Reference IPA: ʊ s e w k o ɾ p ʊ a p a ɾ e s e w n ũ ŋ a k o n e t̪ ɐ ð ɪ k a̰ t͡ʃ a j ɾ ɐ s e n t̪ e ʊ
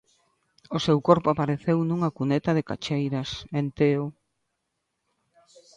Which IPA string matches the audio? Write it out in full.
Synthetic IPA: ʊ s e w k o ɾ p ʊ a p a ɾ e θ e w n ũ ŋ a k u n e t̪ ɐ ð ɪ k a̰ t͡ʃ e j ɾ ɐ s e n t̪ e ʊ